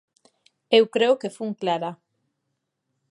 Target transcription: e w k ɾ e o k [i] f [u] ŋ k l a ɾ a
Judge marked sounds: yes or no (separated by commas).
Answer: no, yes